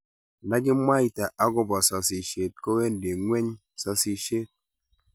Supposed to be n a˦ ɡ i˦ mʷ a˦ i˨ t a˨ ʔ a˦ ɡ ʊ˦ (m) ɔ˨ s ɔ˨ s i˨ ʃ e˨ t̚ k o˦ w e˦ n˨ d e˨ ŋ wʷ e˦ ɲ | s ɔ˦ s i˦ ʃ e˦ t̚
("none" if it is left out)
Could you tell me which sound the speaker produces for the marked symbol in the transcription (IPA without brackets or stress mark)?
b